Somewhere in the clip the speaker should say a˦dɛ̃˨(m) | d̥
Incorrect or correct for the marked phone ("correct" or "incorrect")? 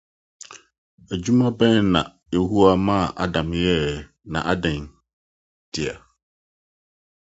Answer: incorrect